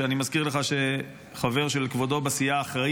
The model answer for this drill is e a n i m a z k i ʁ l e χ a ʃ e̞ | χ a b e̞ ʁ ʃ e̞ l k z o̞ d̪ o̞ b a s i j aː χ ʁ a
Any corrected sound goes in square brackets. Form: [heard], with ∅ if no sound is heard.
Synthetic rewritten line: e a n i m a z k i ʁ l e χ a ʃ e̞ | χ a [v] e̞ ʁ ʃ e̞ l k [v] o̞ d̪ o̞ b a s i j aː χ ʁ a